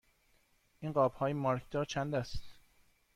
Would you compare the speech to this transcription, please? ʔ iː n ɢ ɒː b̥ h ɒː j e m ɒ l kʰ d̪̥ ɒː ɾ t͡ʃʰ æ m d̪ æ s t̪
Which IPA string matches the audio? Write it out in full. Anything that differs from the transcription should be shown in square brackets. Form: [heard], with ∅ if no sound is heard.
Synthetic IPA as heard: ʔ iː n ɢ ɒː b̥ h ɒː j e m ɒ [ɾ] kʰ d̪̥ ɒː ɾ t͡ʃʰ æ [n] d̪ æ s t̪